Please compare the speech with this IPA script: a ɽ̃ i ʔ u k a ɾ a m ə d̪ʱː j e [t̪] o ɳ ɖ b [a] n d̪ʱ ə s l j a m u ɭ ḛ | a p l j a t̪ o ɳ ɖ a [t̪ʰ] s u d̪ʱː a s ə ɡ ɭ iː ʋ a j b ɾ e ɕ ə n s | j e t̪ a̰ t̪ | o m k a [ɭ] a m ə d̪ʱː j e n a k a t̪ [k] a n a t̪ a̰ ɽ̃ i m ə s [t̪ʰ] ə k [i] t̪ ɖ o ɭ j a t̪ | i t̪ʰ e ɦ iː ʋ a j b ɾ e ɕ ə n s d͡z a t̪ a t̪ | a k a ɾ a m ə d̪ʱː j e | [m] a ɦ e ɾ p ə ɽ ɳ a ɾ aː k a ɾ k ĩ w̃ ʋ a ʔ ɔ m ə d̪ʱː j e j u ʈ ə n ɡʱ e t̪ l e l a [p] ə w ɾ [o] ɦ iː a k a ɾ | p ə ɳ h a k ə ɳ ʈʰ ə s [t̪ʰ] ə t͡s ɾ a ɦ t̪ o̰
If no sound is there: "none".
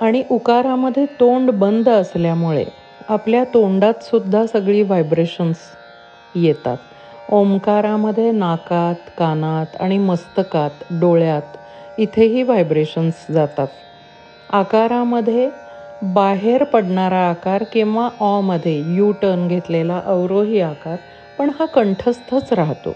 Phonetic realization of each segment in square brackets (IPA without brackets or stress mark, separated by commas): t̪, ə, t̪, ɾ, k, t̪, a, b, ʔ, o, t̪ʰ